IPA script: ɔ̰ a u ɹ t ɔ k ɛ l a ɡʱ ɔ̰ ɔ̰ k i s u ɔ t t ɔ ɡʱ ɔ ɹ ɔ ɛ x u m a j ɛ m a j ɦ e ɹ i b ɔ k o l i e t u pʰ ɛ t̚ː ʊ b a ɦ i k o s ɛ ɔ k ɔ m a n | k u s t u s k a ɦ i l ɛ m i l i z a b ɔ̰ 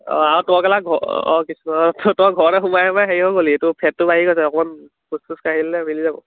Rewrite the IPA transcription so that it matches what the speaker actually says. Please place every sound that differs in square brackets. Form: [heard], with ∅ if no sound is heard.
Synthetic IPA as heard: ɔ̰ a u [∅] t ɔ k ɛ l a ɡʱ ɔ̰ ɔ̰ k i s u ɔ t t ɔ ɡʱ ɔ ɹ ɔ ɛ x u m a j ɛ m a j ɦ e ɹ i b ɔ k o l i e t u pʰ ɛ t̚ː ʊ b a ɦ i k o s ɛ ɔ k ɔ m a n | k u s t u s k a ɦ i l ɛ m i l i z a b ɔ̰